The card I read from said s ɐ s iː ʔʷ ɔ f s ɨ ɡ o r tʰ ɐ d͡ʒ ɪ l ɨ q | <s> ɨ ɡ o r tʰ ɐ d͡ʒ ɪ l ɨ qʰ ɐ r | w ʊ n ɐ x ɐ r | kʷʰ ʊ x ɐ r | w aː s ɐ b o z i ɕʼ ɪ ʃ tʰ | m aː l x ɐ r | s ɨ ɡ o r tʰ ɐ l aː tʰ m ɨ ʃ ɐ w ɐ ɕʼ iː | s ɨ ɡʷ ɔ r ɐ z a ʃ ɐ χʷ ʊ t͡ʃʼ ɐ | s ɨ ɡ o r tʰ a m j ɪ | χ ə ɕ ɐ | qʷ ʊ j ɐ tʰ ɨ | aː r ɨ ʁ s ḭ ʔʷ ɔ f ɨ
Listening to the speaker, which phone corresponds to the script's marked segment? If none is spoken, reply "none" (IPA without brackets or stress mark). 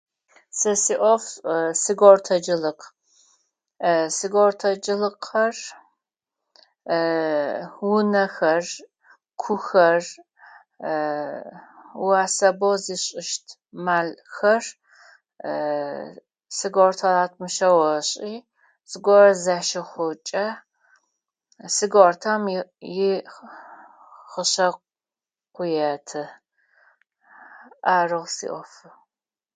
s